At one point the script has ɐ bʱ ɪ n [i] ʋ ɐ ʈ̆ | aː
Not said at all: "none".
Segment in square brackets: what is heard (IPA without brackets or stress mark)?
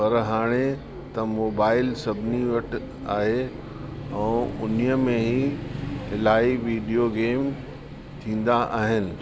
i